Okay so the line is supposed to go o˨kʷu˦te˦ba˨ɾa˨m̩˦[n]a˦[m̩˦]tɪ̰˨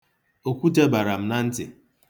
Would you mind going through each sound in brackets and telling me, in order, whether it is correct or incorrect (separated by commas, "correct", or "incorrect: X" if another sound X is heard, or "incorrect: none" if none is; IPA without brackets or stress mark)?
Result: correct, incorrect: n̩˦